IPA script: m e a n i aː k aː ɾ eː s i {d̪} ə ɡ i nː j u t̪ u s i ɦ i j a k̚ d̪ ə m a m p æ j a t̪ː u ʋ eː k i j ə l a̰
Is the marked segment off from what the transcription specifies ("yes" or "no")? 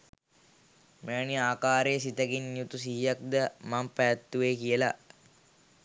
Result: yes